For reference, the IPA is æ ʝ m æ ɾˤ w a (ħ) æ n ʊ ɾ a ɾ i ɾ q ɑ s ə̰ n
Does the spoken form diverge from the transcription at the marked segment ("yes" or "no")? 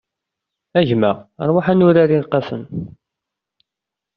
no